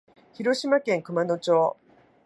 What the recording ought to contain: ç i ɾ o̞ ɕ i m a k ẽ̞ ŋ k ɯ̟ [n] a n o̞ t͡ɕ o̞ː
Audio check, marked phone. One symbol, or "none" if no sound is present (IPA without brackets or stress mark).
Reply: m